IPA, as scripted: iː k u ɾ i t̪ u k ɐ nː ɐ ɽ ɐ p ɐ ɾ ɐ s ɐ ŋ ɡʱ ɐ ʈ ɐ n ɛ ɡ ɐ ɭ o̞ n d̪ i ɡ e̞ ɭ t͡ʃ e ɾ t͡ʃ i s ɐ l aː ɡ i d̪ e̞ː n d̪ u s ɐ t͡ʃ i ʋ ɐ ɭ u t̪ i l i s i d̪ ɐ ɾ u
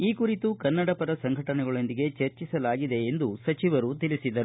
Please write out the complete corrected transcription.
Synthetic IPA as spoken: iː k u ɾ i t̪ u k ɐ nː ɐ ɽ ɐ p ɐ ɾ ɐ s ɐ ŋ ɡʱ ɐ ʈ ɐ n ɛ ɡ ɐ ɭ o̞ n d̪ i ɡ e̞ t͡ʃ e ɾ t͡ʃ i s ɐ l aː ɡ i d̪ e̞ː n d̪ u s ɐ t͡ʃ i ʋ ɐ ɾ u t̪ i l i s i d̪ ɐ ɾ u